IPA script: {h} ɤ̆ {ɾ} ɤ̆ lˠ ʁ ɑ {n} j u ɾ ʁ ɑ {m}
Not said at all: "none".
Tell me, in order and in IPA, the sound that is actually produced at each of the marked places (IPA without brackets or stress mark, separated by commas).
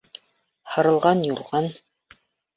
h, ɾ, n, n